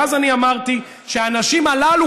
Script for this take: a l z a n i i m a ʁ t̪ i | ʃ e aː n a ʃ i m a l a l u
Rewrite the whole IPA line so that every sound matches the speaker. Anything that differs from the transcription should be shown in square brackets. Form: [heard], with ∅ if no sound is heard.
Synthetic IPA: a [∅] z a n i [a] m a ʁ t̪ i | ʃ e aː n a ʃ i m a l a l u